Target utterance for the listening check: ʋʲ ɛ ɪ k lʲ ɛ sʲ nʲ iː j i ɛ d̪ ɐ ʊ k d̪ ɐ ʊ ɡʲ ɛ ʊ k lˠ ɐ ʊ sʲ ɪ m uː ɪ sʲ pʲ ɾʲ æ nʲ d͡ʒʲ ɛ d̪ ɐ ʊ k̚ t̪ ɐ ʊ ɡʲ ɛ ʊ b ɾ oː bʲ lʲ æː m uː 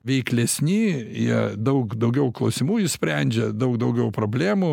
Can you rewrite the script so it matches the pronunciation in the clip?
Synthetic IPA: ʋʲ ɛ ɪ k lʲ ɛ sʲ nʲ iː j i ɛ d̪ ɐ ʊ k d̪ ɐ ʊ ɡʲ ɛ ʊ k lˠ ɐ ʊ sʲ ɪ m uː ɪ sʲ pʲ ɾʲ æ nʲ d͡ʒʲ ɛ d̪ ɐ ʊ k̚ d̪ ɐ ʊ ɡʲ ɛ ʊ p ɾ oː bʲ lʲ æː m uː